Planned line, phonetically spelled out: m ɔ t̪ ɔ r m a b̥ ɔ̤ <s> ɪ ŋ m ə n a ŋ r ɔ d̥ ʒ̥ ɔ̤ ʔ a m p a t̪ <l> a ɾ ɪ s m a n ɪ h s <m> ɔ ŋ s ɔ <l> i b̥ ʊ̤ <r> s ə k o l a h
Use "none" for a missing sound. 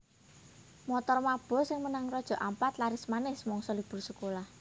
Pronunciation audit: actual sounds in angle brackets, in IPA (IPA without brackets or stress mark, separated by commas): s, l, m, l, r